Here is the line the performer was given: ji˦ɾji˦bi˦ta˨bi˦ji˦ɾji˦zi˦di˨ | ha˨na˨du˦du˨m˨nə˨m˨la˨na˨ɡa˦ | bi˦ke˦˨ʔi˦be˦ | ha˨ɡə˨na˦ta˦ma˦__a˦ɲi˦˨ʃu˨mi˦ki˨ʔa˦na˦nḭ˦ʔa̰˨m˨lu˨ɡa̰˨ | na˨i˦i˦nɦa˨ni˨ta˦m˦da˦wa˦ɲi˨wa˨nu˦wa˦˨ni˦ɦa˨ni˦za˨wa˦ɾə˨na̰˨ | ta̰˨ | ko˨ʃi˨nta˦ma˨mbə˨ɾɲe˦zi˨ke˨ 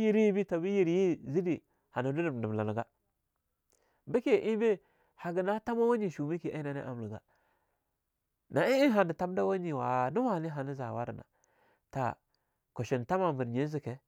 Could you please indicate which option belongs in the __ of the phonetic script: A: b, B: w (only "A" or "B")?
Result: B